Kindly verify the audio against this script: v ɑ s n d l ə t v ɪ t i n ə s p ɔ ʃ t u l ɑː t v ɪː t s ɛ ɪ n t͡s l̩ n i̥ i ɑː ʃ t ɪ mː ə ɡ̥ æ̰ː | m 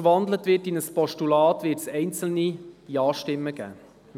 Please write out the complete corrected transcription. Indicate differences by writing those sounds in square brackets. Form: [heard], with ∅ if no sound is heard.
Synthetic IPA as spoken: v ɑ [∅] n d l ə t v ɪ t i n ə s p ɔ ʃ t u l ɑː t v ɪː t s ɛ ɪ n t͡s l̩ n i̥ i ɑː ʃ t ɪ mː ə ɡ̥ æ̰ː | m